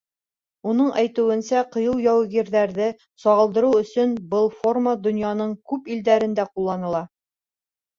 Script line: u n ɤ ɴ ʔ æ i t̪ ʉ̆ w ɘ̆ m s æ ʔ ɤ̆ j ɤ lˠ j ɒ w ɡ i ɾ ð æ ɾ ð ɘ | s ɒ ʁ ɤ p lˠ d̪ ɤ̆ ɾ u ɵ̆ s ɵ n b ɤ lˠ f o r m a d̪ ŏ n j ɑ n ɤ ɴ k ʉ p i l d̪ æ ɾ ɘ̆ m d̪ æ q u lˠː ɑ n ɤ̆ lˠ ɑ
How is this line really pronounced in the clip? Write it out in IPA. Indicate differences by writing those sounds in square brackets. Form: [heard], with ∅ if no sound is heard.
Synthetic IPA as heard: u n ɤ ɴ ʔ æ [j] t̪ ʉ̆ w ɘ̆ [n] s æ [q] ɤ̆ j ɤ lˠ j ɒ w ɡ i ɾ ð æ ɾ ð ɘ | s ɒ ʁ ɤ [∅] lˠ d̪ ɤ̆ ɾ u ɵ̆ s ɵ n b ɤ lˠ f o r m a d̪ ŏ n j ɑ n ɤ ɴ k ʉ p i l d̪ æ ɾ ɘ̆ [n] d̪ æ q u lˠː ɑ n ɤ̆ lˠ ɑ